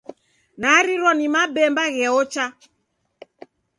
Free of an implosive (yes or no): yes